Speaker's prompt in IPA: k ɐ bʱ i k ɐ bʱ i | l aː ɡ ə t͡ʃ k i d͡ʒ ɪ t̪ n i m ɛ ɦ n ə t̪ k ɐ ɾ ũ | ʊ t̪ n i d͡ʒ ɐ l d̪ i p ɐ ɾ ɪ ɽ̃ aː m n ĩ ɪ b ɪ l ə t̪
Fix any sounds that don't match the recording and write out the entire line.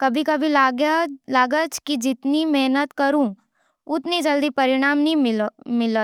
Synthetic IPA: k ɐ bʱ i k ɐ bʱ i | l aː ɡ ə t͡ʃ k i d͡ʒ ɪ t̪ n i m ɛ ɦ n ə t̪ k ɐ ɾ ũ | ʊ t̪ n i d͡ʒ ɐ l d̪ i p ɐ ɾ ɪ ɽ̃ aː m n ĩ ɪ m ɪ l ə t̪